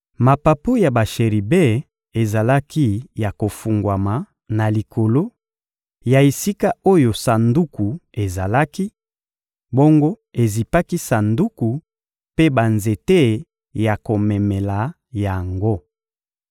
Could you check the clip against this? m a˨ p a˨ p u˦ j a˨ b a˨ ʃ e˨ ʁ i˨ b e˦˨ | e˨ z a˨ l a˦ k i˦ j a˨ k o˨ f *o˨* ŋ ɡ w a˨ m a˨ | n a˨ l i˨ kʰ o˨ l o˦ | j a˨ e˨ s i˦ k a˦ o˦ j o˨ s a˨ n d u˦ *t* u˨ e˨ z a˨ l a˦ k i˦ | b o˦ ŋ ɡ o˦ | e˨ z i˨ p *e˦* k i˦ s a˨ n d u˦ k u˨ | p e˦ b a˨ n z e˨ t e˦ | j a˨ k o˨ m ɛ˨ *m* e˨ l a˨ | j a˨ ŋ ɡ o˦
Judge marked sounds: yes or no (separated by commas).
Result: no, no, no, yes